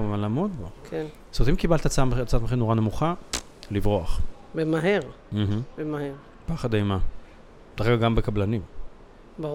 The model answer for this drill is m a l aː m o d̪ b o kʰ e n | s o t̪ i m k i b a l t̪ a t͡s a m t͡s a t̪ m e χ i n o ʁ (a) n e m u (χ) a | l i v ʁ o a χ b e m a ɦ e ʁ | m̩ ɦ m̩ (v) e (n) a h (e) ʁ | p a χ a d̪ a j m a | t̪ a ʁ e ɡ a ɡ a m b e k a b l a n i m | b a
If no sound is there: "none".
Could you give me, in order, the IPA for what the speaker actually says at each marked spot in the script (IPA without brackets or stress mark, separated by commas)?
a, χ, b, m, e